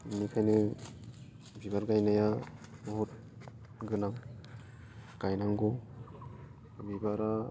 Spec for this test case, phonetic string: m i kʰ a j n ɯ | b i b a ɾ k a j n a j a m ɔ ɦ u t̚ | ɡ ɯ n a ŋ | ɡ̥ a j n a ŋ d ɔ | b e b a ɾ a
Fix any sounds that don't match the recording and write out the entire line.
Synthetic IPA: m i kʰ a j n ɯ | b i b a ɾ ɡ a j n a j a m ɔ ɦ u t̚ | ɡ ɯ n a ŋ | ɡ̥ a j n a ŋ ɡ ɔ | b i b a ɾ a